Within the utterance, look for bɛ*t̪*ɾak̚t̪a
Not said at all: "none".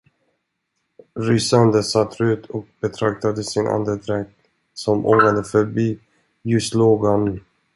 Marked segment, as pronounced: t̪ʰ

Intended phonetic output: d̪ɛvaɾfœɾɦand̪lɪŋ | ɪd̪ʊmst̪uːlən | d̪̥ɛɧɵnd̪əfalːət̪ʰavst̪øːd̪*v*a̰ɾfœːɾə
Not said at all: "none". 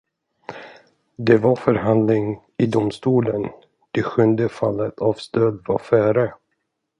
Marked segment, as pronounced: v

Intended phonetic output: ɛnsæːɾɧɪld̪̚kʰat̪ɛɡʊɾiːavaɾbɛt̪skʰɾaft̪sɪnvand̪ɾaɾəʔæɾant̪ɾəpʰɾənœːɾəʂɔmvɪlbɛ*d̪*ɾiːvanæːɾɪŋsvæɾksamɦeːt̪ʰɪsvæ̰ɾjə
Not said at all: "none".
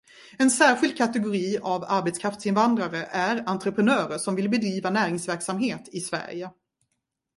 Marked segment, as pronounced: d̪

